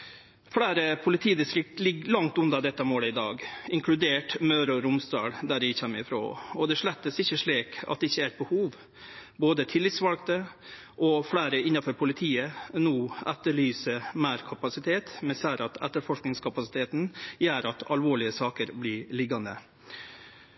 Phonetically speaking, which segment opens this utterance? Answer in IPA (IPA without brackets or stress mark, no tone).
f